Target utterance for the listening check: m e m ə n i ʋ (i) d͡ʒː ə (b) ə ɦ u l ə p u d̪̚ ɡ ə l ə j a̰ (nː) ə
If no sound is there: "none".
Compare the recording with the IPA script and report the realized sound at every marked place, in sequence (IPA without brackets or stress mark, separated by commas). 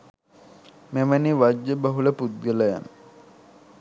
a, b, n